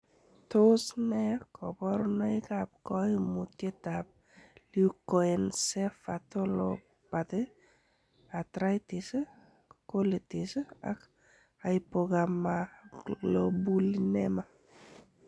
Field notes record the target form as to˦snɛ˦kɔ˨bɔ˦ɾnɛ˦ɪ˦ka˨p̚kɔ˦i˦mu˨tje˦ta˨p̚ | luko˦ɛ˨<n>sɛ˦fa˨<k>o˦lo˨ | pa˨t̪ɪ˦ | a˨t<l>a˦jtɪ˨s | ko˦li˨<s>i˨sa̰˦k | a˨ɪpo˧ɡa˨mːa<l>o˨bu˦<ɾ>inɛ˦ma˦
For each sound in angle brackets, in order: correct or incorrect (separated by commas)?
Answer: correct, incorrect, incorrect, incorrect, correct, incorrect